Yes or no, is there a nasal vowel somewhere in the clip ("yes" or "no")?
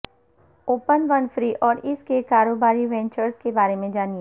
yes